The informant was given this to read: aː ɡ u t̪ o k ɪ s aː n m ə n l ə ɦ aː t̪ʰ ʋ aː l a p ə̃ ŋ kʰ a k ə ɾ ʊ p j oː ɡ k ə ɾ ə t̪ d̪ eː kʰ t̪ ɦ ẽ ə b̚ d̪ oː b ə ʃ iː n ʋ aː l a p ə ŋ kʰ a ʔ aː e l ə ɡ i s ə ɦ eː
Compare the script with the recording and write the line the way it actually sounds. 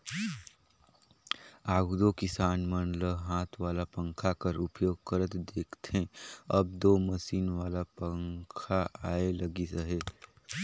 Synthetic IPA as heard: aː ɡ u d̪ o k ɪ s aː n m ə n l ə ɦ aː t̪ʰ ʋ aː l a p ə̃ ŋ kʰ a k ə ɾ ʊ p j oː ɡ k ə ɾ ə t̪ d̪ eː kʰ t̪ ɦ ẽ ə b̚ d̪ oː m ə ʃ iː n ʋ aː l a p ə ŋ kʰ a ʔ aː e l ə ɡ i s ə ɦ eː